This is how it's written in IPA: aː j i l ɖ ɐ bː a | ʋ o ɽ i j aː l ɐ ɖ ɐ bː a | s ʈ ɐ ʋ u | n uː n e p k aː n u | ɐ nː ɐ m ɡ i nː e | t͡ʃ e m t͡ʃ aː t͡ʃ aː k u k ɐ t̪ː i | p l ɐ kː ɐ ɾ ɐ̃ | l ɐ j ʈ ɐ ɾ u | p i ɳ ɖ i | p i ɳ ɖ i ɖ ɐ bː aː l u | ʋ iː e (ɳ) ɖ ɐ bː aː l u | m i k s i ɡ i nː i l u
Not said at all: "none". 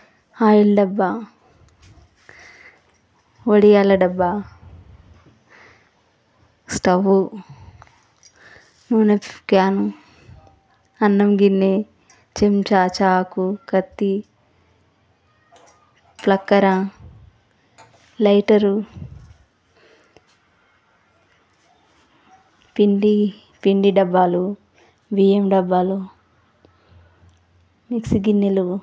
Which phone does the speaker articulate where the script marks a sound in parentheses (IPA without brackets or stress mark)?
m